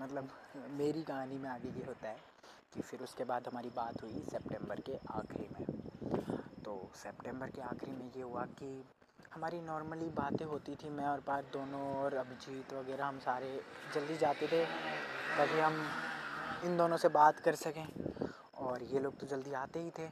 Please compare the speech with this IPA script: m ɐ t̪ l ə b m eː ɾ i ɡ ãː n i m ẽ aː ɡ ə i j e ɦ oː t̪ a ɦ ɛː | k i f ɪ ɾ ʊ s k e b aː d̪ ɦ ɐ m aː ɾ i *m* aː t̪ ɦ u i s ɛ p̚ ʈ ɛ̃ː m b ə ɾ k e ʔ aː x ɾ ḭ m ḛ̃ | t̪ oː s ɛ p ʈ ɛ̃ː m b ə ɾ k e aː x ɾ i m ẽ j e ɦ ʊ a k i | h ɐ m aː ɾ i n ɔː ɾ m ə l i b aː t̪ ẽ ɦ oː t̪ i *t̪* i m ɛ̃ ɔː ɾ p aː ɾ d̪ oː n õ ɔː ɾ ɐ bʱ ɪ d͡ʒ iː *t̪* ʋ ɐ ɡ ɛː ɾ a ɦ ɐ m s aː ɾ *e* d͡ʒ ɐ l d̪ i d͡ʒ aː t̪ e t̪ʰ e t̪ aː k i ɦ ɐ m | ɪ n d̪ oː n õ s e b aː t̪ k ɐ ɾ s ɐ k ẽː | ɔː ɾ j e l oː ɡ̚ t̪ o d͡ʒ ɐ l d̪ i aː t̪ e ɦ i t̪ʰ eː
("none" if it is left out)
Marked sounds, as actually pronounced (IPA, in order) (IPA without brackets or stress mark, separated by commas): b, t̪ʰ, t̪, e